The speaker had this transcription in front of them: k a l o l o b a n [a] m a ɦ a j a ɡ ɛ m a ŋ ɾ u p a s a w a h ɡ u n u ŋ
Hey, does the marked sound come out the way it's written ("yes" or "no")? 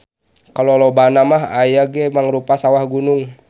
yes